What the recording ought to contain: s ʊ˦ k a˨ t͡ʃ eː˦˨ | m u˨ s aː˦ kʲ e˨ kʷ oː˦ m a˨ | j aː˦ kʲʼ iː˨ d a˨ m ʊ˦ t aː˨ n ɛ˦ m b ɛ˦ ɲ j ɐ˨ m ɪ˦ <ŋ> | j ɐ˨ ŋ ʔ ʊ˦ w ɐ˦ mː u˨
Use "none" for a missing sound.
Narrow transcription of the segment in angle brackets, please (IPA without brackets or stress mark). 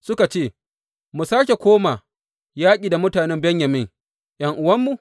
ŋ